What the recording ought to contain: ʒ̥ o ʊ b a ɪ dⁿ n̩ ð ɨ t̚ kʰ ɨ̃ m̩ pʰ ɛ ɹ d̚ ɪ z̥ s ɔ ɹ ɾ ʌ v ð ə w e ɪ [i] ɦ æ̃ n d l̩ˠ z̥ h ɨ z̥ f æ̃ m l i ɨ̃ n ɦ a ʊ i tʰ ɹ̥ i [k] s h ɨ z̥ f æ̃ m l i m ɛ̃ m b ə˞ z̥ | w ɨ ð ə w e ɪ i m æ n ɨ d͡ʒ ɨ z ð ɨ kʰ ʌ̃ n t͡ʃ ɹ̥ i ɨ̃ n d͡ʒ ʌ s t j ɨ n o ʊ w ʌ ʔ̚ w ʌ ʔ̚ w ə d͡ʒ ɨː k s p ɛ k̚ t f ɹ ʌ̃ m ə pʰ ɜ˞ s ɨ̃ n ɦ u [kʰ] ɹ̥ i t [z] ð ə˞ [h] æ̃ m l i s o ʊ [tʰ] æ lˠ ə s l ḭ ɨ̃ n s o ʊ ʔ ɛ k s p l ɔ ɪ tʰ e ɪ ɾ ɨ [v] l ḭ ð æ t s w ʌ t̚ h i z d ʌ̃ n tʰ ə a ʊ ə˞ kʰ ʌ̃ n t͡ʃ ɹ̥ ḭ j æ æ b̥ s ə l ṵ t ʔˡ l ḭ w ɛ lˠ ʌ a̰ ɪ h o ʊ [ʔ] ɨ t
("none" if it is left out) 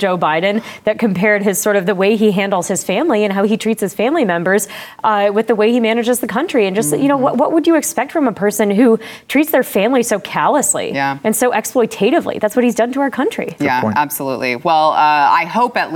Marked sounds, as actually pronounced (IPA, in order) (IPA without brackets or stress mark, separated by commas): i, t, tʰ, s, f, kʰ, v, p